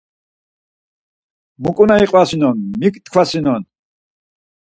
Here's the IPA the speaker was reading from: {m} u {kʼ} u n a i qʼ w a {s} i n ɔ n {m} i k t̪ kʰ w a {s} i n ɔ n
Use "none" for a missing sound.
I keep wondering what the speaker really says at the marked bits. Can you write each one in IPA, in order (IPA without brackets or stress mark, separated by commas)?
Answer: m, kʼ, s, m, s